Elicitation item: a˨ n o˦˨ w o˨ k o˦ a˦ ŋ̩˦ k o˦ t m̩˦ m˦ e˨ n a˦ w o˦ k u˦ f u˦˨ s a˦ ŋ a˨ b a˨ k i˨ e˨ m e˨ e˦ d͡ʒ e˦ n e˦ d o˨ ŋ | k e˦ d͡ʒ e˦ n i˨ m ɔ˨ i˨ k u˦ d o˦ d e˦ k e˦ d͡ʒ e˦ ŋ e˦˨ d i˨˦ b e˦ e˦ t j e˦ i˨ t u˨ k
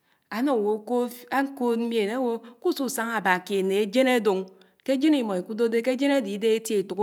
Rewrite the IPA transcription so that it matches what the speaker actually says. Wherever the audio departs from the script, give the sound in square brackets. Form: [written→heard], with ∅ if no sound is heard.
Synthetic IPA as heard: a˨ n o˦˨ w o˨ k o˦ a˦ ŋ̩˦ k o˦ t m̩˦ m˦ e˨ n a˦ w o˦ k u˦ [f→s] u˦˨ s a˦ ŋ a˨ b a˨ k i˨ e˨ [m→n] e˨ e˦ d͡ʒ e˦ n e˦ d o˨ ŋ | k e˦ d͡ʒ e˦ n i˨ m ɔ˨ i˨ k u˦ d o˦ d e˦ k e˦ d͡ʒ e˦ [ŋ→n] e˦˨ d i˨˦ [b→d] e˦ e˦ t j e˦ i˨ t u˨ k